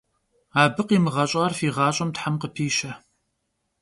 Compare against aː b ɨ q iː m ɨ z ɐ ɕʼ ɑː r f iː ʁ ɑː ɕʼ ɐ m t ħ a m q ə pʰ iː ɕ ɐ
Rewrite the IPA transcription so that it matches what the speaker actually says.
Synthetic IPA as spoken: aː b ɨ q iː m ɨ ʁ ɐ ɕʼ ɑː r f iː ʁ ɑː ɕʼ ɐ m t ħ a m q ə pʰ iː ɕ ɐ

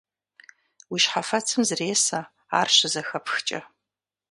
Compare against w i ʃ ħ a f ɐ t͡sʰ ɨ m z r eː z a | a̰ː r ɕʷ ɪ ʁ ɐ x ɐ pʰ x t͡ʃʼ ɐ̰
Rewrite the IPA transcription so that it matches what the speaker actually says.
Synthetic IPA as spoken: w i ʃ ħ a f ɐ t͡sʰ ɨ m z r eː s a | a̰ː r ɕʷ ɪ z ɐ x ɐ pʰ x t͡ʃʼ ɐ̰

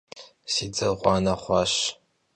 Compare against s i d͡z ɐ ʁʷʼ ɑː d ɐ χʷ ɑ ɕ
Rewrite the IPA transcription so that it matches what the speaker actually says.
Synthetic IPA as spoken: s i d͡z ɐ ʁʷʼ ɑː n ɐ χʷ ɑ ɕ

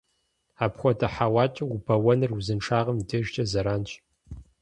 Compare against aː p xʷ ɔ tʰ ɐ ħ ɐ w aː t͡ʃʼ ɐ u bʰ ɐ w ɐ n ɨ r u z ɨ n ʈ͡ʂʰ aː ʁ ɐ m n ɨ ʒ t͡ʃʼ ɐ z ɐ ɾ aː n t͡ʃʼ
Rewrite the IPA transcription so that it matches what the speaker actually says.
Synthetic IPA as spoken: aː p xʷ ɔ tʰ ɐ ħ a w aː t͡ʃʼ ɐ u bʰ ɐ w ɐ n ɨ r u z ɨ n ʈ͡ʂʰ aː ʁ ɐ m d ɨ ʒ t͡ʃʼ ɐ z ɐ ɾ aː n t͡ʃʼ

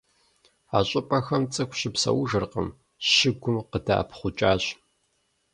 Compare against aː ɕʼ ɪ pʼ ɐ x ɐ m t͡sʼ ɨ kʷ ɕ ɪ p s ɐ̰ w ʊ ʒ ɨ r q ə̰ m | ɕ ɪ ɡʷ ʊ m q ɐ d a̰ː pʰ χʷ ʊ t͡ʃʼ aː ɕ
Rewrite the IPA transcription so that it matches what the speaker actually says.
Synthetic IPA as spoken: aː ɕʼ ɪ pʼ ɐ x ɐ m t͡sʼ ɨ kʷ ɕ ɪ p s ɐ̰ w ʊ ʒ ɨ r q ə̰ m | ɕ ɪ ɡʷ ʊ m q ə d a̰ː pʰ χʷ ʊ t͡ʃʼ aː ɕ

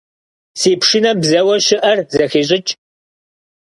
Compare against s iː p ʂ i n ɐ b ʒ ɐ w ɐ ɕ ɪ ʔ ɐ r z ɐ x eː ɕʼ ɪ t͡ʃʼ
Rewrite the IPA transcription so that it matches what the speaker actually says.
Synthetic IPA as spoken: s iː p ʂ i n ɐ b z ɐ w ɐ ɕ ɪ ʔ ɐ r z ɐ x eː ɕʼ ɪ t͡ʃʼ

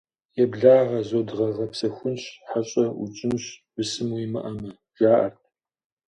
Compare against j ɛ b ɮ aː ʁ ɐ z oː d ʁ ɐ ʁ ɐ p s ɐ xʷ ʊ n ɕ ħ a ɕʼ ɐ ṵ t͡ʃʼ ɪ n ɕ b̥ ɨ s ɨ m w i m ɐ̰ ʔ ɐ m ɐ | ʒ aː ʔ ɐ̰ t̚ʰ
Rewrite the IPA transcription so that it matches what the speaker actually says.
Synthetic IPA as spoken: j ɛ b ɮ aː ʁ ɐ z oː d ʁ ɐ ʁ ɐ p s ɐ xʷ ʊ n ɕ ħ a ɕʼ ɐ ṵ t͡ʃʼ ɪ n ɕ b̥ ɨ s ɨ m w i m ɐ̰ ʔ ɐ m ɐ | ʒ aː ʔ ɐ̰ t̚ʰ

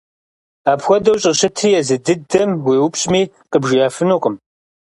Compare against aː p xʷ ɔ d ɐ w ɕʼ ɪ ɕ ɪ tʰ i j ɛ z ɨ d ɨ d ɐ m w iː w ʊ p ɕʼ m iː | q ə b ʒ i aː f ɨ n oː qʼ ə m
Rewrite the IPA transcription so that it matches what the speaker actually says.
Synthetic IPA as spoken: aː p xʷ ɔ d ɐ w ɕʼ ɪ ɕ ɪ tʰ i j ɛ z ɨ d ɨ d ɐ m w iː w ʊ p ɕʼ m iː | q ə b ʒ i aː f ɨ n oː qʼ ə m

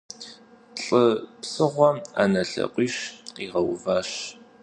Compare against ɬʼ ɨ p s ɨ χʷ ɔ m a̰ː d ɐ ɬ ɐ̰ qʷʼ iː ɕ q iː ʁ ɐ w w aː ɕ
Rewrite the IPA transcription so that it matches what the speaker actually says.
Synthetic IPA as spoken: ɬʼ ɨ p s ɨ ʁʷ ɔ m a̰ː n ɐ ɬ ɐ̰ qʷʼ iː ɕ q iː ʁ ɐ w v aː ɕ

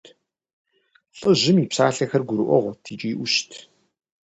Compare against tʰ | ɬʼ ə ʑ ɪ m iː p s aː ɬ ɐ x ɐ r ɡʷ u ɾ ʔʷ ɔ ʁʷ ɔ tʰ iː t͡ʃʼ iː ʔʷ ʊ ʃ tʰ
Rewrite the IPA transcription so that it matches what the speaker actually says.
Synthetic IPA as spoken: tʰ | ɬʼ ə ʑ ɪ m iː p s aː ɬ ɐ x ɐ r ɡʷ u ɾ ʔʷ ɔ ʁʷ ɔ tʰ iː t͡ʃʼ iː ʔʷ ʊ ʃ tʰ

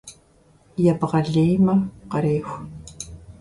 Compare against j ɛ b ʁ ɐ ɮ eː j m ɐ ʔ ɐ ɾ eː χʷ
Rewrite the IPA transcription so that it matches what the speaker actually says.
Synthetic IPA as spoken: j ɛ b ʁ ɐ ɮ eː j m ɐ q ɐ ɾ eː xʷ

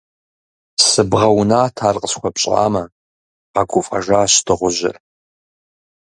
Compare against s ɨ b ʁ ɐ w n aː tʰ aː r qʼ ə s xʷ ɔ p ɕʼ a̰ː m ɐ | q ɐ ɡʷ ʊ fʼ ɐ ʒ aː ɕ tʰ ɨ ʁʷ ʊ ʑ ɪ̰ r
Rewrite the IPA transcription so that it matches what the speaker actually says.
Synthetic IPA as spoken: s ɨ b ʁ ɐ w n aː tʰ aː r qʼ ə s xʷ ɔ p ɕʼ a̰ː m ɐ | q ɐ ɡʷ ʊ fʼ ɐ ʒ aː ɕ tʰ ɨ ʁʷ ʊ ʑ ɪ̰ r

